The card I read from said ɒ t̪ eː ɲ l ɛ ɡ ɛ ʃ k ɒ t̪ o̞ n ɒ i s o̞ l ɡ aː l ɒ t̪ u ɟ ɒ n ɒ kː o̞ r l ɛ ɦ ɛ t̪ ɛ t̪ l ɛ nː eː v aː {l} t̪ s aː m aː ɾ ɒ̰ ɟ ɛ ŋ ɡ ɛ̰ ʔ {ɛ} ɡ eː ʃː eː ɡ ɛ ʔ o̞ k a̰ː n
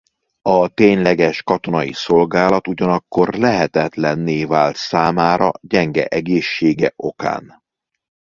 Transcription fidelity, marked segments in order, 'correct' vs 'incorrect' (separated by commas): correct, correct